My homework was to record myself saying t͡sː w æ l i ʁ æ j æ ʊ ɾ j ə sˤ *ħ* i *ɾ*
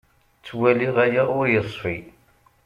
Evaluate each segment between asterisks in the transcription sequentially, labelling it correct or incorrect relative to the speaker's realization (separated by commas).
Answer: incorrect, incorrect